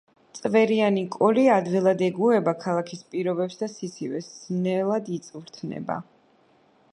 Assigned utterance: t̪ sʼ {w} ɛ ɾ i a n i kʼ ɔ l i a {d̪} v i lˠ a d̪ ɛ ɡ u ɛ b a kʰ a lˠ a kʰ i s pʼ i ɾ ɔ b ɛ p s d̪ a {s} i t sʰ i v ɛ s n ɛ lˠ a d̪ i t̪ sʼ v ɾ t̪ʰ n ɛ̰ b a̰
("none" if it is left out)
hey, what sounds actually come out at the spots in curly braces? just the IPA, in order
v, d̪, s

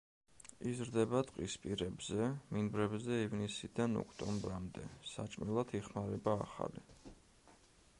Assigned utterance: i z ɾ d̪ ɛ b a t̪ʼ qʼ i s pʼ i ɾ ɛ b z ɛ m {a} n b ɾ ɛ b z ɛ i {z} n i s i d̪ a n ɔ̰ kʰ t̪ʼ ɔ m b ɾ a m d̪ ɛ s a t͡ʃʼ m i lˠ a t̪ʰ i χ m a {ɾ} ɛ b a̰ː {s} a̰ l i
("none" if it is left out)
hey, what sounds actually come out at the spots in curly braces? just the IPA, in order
i, v, ɾ, χ

